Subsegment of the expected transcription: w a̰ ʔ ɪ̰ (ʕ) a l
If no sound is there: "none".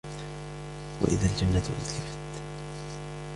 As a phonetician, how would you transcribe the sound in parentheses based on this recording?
ð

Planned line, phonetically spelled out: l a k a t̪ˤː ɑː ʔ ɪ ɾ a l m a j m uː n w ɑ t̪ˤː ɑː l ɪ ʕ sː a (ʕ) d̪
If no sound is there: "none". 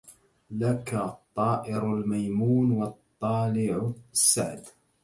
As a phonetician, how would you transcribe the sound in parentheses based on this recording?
ʕ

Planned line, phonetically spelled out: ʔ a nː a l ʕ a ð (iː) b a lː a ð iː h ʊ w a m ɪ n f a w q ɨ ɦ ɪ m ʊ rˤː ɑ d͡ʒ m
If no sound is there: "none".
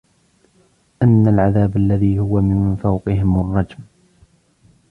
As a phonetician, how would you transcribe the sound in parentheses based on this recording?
aː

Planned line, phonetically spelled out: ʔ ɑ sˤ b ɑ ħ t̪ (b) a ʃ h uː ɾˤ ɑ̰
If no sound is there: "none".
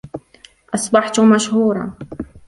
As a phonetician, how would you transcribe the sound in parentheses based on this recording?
m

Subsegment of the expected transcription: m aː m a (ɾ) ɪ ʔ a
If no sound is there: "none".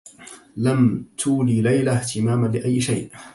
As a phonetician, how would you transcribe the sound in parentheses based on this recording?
l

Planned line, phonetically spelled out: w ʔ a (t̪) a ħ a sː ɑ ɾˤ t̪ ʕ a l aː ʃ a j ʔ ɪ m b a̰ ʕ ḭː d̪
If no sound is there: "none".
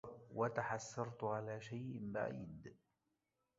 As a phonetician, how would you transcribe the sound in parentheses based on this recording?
t̪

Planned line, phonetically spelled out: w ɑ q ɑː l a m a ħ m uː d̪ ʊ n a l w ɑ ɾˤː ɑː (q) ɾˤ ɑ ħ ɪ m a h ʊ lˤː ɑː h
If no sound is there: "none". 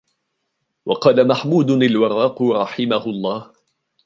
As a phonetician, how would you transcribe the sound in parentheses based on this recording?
q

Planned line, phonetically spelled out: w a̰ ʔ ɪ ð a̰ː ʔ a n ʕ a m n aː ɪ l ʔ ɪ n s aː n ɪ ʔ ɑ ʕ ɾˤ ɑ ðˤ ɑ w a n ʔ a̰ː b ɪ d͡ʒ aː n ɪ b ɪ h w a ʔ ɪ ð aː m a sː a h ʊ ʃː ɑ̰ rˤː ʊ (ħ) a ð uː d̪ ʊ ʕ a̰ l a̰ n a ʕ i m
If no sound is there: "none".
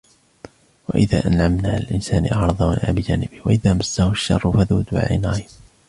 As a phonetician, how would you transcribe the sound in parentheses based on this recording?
f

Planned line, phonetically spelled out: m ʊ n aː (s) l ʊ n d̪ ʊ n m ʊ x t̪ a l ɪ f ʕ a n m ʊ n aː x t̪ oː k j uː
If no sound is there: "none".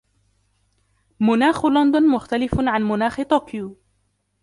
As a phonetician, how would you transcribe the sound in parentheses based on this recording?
x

